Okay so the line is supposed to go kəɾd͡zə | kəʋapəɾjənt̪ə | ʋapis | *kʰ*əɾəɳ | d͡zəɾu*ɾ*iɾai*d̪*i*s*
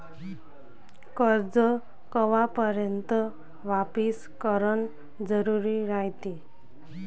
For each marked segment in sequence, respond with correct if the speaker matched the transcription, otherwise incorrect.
incorrect: k, correct, incorrect: t̪, incorrect: none

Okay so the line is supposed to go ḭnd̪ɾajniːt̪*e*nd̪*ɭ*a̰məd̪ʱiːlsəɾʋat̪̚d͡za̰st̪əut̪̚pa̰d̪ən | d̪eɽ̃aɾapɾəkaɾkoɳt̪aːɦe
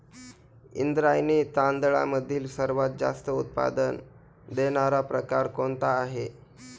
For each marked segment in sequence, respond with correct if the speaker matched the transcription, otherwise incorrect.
incorrect: a, correct

